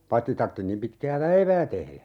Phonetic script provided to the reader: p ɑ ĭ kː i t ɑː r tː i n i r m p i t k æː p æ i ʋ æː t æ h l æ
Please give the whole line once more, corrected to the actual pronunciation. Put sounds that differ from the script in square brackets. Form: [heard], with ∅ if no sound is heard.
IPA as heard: p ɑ ĭ [tː] i t [ɑ] r tː i n i [∅] m p i t k æː p æ i ʋ æː t [e] h l æ